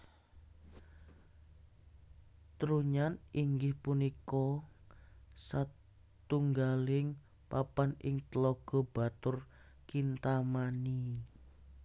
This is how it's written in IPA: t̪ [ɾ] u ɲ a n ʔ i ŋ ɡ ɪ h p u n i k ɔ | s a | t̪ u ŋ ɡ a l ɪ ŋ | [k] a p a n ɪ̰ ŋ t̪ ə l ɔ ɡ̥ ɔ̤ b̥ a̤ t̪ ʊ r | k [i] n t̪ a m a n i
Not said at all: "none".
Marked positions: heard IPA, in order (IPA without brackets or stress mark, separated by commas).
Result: ɾ, p, i